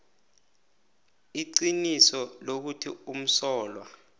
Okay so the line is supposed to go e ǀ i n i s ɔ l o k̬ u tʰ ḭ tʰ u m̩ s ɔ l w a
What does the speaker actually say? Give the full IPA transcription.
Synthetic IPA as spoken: i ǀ i n i s ɔ l o k̬ u tʰ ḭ u m̩ s ɔː l w a